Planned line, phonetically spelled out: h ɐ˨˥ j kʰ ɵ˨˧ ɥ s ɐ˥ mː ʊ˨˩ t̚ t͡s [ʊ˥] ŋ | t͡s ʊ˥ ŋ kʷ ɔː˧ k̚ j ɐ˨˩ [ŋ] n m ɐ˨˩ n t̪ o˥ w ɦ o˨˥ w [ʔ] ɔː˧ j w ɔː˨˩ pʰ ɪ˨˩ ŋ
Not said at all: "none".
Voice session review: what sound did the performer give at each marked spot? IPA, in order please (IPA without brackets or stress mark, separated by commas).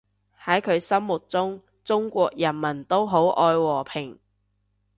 ʊ˥, none, ʔ